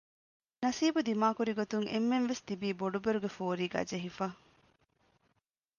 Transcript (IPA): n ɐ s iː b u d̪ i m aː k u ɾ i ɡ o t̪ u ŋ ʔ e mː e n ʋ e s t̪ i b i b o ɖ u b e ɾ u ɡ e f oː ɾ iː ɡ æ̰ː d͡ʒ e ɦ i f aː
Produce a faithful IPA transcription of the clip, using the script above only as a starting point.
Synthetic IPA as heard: n ɐ s iː b u d̪ i m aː k u ɾ i ɡ o t̪ u ŋ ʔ e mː e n ʋ e s t̪ i b iː b o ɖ u b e ɾ u ɡ e f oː ɾ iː ɡ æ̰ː d͡ʒ e ɦ i f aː